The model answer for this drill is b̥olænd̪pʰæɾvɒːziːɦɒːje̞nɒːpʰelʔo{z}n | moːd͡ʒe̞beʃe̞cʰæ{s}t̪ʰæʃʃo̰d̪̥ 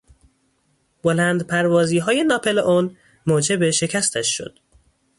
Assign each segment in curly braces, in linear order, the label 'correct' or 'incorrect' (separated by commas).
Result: incorrect, correct